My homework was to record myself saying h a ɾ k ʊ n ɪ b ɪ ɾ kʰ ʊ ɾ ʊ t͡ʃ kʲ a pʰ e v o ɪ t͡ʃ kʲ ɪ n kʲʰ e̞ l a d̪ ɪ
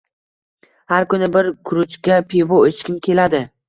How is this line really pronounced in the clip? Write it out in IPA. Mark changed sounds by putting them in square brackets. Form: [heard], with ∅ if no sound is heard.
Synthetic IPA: h a ɾ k ʊ n ɪ b ɪ ɾ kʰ ʊ ɾ ʊ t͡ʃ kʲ a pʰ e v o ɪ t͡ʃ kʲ ɪ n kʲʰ e̞ l a d̪ ɪ